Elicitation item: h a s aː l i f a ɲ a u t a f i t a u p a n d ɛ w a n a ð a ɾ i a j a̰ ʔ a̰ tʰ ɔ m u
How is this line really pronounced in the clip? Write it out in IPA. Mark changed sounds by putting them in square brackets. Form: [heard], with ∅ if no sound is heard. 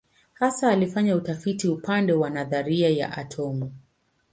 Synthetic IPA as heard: h a s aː l i f a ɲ a u t a f i t [i] u p a n d ɛ w a n a ð a ɾ i a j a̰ ʔ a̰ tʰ ɔ m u